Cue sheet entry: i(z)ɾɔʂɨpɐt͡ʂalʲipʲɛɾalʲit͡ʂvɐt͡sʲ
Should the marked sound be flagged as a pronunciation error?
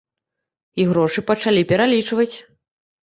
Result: yes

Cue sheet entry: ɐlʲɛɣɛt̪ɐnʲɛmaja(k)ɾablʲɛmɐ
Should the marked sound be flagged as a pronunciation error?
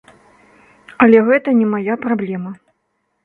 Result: yes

